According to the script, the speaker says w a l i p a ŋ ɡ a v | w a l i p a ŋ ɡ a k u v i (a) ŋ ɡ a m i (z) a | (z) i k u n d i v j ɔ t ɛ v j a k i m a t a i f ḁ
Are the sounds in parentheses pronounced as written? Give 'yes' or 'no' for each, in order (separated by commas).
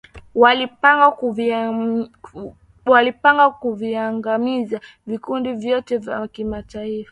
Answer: yes, yes, no